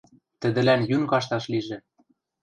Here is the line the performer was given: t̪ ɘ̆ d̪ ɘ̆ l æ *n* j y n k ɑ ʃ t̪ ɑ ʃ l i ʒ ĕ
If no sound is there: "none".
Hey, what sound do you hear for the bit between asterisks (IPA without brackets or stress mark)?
n